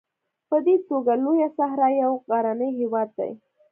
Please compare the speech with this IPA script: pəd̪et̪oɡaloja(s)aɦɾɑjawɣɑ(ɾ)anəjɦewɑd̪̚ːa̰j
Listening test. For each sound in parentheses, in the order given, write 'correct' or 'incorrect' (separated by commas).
correct, correct